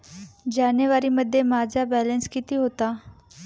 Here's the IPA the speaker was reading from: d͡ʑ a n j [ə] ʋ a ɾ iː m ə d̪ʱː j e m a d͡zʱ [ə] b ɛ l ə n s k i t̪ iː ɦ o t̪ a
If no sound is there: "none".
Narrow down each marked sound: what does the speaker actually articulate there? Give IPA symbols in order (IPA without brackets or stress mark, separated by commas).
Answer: ə, a